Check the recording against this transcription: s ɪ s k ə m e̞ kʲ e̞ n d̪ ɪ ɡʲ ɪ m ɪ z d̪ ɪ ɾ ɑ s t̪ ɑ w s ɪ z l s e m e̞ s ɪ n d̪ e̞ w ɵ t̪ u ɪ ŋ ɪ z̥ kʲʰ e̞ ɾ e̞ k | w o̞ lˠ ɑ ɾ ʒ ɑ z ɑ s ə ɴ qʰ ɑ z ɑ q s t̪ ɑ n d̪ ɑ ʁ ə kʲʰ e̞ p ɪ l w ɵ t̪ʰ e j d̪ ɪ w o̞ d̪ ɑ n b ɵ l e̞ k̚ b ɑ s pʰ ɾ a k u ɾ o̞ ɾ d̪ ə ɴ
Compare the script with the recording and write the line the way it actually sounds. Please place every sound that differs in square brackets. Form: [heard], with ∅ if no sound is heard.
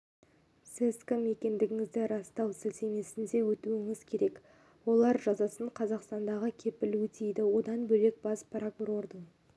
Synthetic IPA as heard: s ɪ s k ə m e̞ kʲ e̞ n d̪ ɪ ɡʲ ɪ [ŋ] ɪ z d̪ ɪ ɾ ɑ s t̪ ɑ w s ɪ [∅] l s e m e̞ s ɪ n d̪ e̞ w ɵ t̪ u ɪ ŋ ɪ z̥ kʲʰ e̞ ɾ e̞ k | w o̞ lˠ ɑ ɾ ʒ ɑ z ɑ s ə ɴ qʰ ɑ z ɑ q s t̪ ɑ n d̪ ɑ ʁ ə kʲʰ e̞ p ɪ l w ɵ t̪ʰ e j d̪ ɪ w o̞ d̪ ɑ n b ɵ l e̞ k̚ b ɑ s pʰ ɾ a k u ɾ o̞ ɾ d̪ ə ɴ

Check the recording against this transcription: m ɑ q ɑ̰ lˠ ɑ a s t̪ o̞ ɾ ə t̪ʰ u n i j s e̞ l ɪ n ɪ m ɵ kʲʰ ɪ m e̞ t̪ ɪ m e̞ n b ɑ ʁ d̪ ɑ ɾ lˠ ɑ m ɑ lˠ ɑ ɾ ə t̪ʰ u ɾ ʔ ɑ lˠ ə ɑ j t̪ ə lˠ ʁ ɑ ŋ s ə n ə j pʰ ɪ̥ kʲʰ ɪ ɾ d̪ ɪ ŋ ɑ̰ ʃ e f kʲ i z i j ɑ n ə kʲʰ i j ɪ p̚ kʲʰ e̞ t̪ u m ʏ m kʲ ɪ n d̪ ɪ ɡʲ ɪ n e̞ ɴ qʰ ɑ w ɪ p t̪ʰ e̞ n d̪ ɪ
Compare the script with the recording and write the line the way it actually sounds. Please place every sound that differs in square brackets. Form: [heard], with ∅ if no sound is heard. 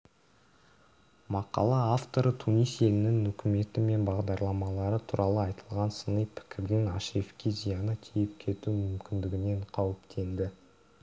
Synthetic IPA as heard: m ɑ q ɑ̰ lˠ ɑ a [f] t̪ o̞ ɾ ə t̪ʰ u n i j s e̞ l ɪ n ɪ [ŋ] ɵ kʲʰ ɪ m e̞ t̪ ɪ m e̞ n b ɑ ʁ d̪ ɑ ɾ lˠ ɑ m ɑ lˠ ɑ ɾ ə t̪ʰ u ɾ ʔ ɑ lˠ ə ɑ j t̪ ə lˠ ʁ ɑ [n] s ə n ə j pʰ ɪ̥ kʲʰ ɪ ɾ d̪ ɪ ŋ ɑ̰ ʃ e f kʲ i z i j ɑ n ə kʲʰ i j ɪ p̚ kʲʰ e̞ t̪ u m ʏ m kʲ ɪ n d̪ ɪ ɡʲ ɪ n e̞ ɴ qʰ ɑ w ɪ p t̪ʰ e̞ n d̪ ɪ

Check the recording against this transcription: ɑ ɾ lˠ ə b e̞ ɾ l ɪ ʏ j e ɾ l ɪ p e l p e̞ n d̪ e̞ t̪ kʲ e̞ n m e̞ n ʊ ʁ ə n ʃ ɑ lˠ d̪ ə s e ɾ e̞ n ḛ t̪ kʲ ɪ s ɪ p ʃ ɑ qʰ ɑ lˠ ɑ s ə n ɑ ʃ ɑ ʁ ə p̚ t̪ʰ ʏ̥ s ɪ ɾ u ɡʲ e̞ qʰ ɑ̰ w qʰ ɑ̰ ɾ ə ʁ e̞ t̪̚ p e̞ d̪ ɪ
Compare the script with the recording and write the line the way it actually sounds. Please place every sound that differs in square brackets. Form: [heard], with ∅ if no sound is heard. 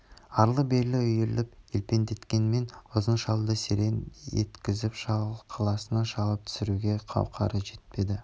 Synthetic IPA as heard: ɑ ɾ lˠ ə b e̞ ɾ l ɪ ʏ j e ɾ l ɪ p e l p e̞ n d̪ e̞ t̪ kʲ e̞ n m e̞ n ʊ [z] ə n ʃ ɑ lˠ d̪ ə s e ɾ e̞ n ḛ t̪ kʲ ɪ [z] ɪ p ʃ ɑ qʰ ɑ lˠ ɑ s ə n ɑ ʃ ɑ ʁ ə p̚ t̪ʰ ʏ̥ s ɪ ɾ u ɡʲ e̞ qʰ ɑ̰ w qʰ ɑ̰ ɾ ə [ʒ] e̞ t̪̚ p e̞ d̪ ɪ

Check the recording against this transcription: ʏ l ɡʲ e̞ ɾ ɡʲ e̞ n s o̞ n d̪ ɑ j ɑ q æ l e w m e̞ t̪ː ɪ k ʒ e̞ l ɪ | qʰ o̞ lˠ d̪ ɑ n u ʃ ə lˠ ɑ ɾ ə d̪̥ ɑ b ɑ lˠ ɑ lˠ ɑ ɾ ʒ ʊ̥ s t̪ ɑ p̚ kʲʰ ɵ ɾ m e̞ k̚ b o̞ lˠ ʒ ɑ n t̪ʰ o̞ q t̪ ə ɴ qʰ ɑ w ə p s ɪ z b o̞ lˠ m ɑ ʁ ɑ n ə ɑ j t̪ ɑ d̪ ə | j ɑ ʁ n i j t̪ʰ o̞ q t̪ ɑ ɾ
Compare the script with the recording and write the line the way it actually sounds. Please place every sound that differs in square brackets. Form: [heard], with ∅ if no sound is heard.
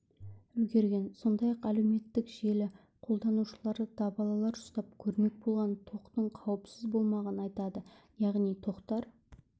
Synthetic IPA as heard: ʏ l ɡʲ e̞ ɾ ɡʲ e̞ n s o̞ n d̪ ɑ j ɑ q æ l e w m e̞ t̪ː ɪ k ʒ e̞ l ɪ | qʰ o̞ lˠ d̪ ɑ n u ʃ ə lˠ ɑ ɾ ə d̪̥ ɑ b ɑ lˠ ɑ lˠ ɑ ɾ ʒ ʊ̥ s t̪ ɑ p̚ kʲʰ ɵ ɾ m e̞ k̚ b o̞ lˠ [ʁ] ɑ n t̪ʰ o̞ q t̪ ə ɴ qʰ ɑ w ə p s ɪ z b o̞ lˠ m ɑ ʁ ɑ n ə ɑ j t̪ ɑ d̪ ə | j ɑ ʁ n i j t̪ʰ o̞ q t̪ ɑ ɾ

